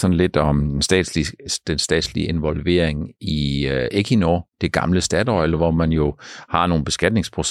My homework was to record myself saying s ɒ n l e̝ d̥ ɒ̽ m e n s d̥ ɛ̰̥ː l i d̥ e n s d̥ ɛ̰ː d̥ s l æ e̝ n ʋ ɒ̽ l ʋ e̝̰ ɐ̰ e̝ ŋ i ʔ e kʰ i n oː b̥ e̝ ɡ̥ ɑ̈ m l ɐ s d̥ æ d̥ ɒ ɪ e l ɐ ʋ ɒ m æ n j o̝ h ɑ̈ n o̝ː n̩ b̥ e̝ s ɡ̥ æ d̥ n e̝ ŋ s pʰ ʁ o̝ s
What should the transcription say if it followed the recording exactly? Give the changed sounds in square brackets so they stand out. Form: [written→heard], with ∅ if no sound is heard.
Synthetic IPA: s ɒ n l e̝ d̥ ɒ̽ m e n s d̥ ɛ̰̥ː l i d̥ e n s d̥ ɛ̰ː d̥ s l [æ→i] e̝ n ʋ ɒ̽ l ʋ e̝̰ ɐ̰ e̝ ŋ i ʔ e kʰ i n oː [b̥→d̥] e̝ ɡ̥ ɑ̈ m l [ɐ→ə] s d̥ æ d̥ ɒ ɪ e l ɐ ʋ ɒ m æ n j o̝ h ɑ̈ n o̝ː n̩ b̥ e̝ s ɡ̥ æ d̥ n e̝ ŋ s pʰ ʁ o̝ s